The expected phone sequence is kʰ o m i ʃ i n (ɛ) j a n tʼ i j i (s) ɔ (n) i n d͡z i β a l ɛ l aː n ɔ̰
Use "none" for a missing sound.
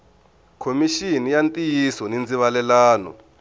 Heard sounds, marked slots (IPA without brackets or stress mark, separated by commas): i, s, n